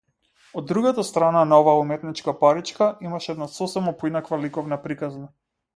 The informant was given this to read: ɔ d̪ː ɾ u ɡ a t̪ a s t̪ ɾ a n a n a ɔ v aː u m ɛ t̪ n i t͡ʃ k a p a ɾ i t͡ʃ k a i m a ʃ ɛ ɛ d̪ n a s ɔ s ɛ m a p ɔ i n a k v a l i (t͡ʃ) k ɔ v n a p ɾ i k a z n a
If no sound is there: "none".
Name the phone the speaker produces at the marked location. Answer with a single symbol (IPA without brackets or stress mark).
none